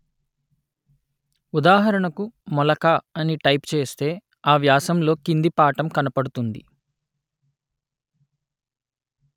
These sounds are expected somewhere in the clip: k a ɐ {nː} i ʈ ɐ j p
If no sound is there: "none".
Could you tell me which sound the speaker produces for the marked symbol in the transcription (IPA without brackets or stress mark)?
n